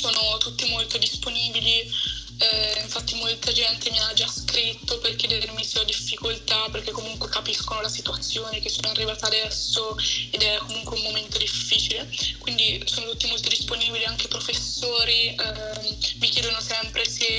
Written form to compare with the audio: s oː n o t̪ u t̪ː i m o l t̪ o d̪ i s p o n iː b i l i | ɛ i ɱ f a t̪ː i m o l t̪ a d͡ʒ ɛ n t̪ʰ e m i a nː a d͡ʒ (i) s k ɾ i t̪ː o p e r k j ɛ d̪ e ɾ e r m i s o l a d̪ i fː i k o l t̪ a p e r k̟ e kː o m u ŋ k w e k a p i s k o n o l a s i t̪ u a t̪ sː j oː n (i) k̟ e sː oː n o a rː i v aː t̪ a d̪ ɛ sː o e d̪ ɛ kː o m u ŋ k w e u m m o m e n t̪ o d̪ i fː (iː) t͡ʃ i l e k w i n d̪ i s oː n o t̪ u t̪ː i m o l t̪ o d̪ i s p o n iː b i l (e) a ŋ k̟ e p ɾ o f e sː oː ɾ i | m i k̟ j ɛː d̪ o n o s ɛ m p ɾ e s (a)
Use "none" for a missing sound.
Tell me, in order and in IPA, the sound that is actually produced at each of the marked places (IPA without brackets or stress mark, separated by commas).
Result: a, e, iː, i, e